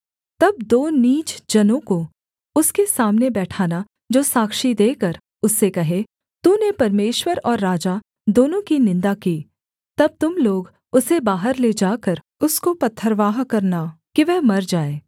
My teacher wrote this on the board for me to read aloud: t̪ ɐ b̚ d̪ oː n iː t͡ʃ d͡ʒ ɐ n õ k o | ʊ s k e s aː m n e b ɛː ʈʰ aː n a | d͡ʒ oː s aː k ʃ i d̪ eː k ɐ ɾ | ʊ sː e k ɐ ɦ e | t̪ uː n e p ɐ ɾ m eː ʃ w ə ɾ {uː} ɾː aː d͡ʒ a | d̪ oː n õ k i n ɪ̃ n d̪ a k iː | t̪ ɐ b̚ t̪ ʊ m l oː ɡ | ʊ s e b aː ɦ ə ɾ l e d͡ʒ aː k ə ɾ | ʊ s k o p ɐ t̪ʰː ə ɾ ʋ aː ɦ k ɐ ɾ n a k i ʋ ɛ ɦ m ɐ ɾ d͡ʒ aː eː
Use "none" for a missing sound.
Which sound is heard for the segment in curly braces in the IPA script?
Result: ɔː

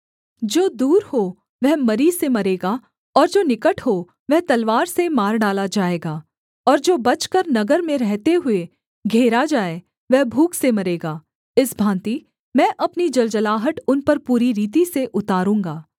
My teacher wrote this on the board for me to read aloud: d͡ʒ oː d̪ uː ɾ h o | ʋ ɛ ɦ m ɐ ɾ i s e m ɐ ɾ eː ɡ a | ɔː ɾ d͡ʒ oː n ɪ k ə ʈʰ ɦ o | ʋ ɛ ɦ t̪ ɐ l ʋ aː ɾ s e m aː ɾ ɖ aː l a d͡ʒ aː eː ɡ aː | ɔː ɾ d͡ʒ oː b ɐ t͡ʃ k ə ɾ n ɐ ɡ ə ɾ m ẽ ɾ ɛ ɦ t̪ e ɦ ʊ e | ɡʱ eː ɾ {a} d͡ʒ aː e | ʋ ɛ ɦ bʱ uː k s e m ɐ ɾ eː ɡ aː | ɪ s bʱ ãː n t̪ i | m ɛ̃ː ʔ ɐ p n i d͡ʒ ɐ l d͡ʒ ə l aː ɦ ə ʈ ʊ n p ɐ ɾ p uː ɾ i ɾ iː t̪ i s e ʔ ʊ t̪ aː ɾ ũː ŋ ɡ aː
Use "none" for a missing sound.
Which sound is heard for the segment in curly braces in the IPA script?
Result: a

